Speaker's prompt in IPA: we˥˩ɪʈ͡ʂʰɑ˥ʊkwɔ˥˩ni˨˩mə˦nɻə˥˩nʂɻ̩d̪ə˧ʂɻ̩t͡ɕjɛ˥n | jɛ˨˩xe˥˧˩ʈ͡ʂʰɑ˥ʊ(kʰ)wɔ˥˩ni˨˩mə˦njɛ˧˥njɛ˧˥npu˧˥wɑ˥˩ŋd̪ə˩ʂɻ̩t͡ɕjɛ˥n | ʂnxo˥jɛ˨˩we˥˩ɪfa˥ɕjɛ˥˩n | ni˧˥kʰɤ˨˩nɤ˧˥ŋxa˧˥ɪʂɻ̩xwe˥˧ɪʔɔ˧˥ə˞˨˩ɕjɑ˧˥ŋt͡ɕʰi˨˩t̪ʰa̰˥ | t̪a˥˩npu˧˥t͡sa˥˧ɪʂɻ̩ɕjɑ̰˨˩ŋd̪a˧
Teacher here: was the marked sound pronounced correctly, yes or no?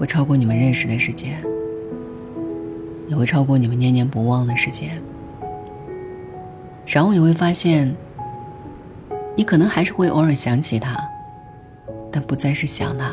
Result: no